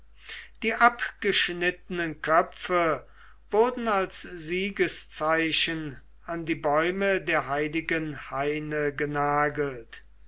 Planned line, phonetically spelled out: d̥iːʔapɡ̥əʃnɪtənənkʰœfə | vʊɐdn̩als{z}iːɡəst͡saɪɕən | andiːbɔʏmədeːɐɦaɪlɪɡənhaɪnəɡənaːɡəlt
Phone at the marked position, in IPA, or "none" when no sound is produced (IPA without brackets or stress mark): z